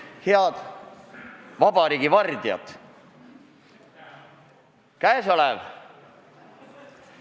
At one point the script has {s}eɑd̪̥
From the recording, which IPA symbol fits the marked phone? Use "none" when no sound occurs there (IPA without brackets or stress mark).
h